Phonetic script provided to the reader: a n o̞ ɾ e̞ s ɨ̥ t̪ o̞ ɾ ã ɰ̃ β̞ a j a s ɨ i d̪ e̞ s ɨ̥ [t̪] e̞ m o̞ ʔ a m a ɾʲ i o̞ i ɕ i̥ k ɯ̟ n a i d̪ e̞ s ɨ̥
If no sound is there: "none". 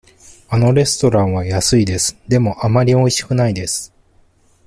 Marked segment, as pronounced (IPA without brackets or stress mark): d̪